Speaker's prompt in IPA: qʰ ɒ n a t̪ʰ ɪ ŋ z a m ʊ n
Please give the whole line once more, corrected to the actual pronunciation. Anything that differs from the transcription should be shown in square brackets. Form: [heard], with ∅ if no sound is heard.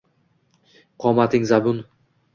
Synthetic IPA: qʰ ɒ [m] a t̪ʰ ɪ ŋ z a [b] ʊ n